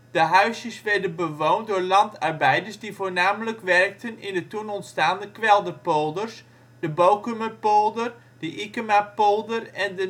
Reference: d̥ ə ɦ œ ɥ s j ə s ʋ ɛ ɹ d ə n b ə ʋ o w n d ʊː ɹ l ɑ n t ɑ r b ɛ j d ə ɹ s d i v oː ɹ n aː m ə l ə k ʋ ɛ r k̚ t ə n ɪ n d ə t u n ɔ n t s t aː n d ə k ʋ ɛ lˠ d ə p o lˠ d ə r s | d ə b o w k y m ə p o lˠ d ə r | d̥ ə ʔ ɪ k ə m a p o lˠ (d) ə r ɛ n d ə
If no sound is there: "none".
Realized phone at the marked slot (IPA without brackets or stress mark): d